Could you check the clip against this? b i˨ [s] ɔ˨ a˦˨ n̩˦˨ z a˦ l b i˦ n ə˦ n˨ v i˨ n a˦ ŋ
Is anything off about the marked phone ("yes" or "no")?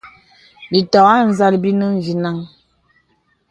yes